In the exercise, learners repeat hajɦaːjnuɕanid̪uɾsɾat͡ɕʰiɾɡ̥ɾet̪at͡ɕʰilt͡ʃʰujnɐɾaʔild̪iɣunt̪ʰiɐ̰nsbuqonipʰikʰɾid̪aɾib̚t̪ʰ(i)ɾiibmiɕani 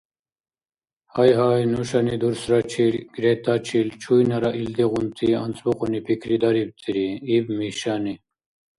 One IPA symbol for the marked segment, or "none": i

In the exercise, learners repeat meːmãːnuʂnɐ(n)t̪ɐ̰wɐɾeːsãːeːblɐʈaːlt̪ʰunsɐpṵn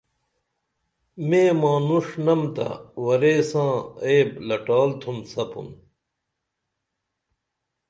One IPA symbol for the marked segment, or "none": m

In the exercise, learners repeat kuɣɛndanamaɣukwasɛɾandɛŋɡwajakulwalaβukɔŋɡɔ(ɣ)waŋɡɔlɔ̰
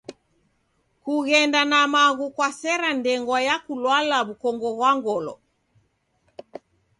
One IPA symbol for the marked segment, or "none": ɣ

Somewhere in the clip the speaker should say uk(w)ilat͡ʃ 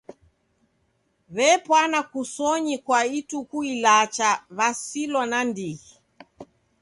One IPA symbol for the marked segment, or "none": u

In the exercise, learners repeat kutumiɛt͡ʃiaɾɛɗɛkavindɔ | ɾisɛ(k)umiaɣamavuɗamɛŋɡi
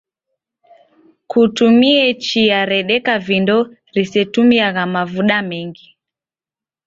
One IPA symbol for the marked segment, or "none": t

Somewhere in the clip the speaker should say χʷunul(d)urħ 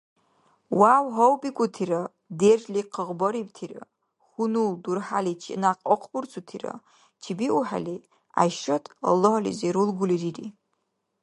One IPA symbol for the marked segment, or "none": d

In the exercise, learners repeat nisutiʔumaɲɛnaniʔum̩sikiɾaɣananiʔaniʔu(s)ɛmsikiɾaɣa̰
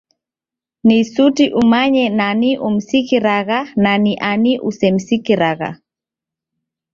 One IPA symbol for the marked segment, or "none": s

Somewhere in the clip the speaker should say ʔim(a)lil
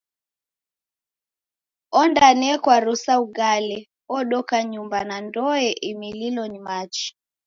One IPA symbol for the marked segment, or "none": i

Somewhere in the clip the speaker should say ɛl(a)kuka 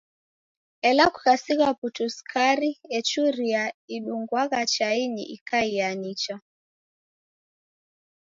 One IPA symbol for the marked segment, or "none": a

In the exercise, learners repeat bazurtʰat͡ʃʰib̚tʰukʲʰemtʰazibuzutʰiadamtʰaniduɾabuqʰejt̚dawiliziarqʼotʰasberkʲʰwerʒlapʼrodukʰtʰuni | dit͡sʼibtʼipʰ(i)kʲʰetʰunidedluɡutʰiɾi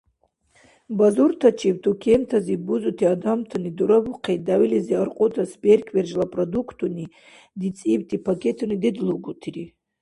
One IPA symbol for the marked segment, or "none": a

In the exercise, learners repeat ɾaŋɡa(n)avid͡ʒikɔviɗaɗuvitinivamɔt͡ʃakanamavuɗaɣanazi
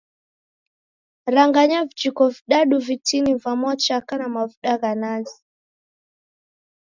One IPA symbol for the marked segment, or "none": ɲ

